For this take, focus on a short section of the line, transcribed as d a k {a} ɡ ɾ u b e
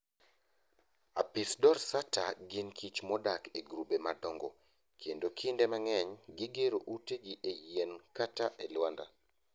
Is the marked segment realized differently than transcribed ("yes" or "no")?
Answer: yes